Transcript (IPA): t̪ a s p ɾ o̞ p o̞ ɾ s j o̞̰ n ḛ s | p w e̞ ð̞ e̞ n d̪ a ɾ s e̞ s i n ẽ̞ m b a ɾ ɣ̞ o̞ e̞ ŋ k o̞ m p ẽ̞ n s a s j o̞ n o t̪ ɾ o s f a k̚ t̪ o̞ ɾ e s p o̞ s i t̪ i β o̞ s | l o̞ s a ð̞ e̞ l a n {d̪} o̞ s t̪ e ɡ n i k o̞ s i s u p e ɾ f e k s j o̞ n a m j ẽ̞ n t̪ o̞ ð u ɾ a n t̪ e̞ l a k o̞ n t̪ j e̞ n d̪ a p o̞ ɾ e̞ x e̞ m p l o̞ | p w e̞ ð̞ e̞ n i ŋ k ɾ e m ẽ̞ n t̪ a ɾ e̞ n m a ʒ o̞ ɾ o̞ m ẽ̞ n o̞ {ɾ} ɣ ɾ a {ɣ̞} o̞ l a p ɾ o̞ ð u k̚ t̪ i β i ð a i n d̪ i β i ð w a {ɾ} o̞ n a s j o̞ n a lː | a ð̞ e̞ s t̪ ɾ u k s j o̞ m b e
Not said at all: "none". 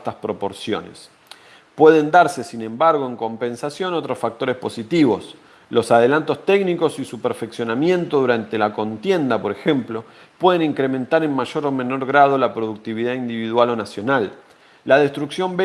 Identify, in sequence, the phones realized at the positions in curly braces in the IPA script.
t̪, ɾ, ð̞, l

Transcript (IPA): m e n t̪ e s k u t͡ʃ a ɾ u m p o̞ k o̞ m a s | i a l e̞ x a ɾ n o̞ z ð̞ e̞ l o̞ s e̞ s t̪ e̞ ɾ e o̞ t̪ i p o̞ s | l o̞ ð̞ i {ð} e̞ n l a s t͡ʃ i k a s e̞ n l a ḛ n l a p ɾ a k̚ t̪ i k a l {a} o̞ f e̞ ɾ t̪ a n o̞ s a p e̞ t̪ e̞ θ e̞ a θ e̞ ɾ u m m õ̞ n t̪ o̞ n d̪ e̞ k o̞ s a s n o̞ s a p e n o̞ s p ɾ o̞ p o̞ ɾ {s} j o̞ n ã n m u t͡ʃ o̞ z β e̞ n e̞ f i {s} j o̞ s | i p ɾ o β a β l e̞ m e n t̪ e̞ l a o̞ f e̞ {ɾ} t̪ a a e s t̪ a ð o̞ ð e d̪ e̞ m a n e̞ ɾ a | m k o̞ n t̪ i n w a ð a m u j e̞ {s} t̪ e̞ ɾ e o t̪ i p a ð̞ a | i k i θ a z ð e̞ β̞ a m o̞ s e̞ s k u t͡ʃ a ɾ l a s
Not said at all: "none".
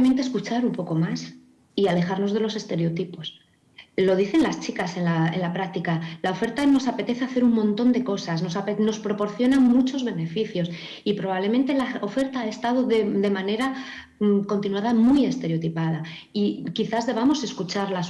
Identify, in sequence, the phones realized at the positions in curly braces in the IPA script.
θ, a, θ, θ, ɾ, s

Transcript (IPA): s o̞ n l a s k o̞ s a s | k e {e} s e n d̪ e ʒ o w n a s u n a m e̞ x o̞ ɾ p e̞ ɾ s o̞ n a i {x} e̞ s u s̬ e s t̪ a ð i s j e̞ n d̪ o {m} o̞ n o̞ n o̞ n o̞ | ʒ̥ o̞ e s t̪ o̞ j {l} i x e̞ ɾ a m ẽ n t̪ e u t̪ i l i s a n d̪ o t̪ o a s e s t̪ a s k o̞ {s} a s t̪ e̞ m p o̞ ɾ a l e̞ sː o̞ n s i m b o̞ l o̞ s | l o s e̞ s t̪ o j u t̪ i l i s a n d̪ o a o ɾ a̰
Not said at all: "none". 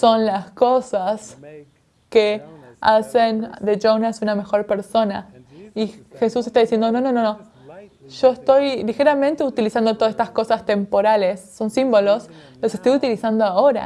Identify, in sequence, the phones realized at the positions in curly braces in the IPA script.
a, x, n, l, s

